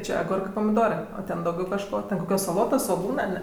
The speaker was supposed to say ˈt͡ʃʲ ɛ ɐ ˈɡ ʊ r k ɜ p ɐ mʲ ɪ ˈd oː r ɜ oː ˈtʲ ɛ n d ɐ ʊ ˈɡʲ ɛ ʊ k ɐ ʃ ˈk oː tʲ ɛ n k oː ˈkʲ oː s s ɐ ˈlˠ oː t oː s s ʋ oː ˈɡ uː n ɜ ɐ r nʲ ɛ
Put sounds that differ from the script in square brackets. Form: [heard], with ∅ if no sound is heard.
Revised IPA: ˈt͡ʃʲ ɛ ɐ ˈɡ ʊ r k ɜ p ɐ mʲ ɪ ˈd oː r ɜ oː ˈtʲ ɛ n d ɐ ʊ ˈɡʲ ɛ ʊ k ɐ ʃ ˈk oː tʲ ɛ n k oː ˈkʲ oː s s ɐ ˈlˠ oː t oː s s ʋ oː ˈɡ uː n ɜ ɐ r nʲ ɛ